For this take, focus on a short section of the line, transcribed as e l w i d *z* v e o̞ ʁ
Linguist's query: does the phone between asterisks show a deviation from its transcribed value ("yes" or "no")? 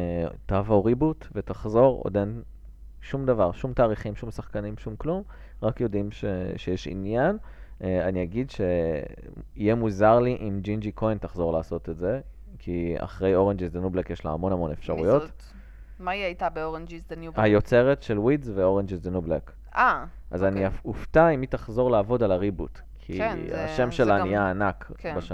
no